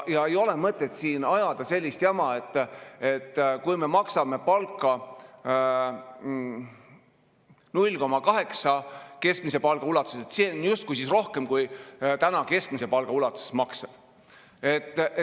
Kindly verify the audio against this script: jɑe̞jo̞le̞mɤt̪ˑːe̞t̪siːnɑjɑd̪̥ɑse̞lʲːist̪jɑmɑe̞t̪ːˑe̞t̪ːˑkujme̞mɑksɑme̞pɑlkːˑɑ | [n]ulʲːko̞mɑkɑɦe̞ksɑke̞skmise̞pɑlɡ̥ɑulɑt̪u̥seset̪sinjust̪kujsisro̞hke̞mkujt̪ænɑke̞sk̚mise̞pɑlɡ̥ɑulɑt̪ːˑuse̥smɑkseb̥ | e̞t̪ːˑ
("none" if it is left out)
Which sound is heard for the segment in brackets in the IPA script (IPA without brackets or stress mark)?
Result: n